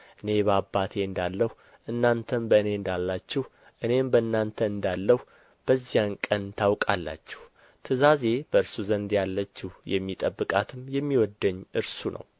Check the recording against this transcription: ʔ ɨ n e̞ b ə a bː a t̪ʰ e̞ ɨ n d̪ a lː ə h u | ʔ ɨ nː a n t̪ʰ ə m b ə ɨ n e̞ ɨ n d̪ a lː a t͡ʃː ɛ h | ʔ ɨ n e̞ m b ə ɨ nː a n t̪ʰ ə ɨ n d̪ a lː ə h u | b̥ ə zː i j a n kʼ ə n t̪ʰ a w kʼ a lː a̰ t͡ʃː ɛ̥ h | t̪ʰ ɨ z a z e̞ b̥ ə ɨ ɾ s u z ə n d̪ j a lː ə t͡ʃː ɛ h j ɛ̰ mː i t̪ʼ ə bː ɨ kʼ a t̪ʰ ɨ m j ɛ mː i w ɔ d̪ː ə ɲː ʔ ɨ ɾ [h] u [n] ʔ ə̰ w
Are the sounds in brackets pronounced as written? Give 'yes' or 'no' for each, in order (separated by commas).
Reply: no, yes